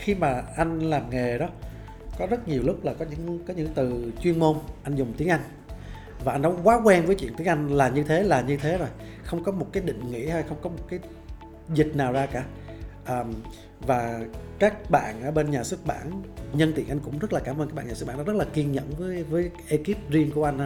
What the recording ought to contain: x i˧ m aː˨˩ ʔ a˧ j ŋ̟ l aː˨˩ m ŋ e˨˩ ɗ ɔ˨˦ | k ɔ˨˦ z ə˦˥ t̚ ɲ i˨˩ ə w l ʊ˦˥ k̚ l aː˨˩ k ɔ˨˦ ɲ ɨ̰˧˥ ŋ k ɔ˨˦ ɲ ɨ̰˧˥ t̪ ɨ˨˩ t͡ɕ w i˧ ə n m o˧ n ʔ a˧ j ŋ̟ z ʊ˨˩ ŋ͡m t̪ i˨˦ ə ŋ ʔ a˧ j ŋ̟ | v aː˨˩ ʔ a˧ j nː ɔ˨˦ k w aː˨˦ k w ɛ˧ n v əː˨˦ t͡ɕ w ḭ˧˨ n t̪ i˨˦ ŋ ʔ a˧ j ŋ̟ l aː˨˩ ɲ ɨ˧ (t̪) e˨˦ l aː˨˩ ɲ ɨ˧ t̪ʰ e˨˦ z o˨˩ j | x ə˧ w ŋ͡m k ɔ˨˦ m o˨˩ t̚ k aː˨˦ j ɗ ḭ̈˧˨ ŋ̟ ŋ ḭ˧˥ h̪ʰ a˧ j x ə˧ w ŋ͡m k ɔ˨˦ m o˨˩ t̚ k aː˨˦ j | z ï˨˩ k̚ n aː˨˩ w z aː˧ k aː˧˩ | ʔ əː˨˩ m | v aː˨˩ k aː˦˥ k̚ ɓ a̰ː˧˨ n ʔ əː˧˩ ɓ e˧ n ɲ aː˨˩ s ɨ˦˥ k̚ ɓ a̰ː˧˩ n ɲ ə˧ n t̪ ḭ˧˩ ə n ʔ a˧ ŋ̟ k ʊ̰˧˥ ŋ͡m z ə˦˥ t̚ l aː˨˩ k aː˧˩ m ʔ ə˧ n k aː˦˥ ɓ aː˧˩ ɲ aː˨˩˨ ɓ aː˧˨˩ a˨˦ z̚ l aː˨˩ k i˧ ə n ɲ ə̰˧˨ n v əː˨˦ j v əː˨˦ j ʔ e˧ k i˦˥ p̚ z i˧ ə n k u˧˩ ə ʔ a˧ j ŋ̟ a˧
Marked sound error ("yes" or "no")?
yes